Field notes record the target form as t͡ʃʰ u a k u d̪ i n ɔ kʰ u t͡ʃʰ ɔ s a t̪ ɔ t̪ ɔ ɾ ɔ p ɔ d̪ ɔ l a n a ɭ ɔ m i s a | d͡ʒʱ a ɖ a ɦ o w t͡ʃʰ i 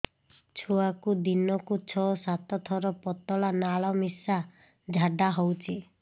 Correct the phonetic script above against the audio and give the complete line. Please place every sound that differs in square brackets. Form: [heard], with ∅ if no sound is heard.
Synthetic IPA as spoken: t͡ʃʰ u a k u d̪ i n ɔ [k] u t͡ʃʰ ɔ s a t̪ ɔ [t̪ʰ] ɔ ɾ ɔ p ɔ [t̪] ɔ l a n a ɭ ɔ m i s a | d͡ʒʱ a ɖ a ɦ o w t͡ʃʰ i